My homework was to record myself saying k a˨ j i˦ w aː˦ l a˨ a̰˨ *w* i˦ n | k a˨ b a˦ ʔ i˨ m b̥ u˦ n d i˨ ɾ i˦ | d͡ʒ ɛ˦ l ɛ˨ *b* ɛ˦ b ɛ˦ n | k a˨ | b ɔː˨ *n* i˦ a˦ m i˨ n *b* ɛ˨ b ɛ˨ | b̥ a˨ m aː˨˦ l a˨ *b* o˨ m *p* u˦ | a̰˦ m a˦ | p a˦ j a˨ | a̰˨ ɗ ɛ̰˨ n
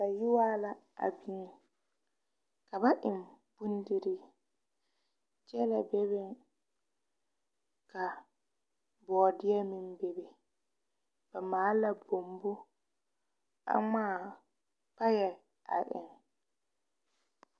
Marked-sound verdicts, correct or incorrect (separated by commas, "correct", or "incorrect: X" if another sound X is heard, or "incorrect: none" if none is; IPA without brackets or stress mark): incorrect: b, correct, incorrect: d, correct, correct, incorrect: b